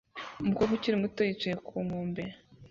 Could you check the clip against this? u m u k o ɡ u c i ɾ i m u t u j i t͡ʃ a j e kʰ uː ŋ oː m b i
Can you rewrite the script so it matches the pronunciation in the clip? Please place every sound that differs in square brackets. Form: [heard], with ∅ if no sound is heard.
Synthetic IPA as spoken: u m u k o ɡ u c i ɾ i m u t [o] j i t͡ʃ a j e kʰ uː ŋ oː m b [e]